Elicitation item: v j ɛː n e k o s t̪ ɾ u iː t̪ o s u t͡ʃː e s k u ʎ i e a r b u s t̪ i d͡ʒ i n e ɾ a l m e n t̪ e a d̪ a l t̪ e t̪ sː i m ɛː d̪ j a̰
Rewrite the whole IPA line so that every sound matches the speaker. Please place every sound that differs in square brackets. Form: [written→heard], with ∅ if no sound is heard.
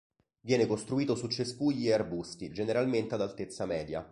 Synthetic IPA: v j ɛː n e k o s t̪ ɾ u iː t̪ o s u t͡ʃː e s k u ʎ i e a r b u s t̪ i d͡ʒ [i→e] n e ɾ a l m e n t̪ e a d̪ a l t̪ e t̪ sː [i→a] m ɛː d̪ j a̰